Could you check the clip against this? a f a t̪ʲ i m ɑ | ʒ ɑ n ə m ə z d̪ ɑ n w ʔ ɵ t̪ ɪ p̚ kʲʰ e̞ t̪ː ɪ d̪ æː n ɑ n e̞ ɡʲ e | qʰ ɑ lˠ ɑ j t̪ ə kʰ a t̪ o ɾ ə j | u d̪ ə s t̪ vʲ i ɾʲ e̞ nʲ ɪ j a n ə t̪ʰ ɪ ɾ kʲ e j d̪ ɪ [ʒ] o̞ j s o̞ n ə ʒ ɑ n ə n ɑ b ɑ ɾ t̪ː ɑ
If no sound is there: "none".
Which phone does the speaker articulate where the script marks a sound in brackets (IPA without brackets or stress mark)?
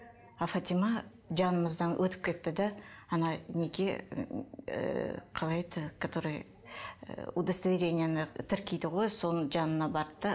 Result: ʁ